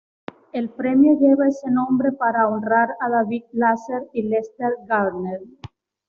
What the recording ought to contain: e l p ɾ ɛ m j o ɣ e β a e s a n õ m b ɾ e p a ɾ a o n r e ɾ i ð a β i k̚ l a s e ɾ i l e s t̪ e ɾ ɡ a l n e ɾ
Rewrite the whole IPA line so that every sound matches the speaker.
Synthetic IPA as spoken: e l p ɾ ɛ m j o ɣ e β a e s e n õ m b ɾ e p a ɾ a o n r a ɾ a ð a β i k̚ l a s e ɾ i l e s t̪ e ɾ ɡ a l n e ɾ